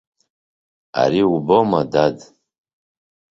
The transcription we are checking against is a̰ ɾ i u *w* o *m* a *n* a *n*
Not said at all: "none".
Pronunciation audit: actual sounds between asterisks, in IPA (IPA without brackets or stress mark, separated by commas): b, m, d, d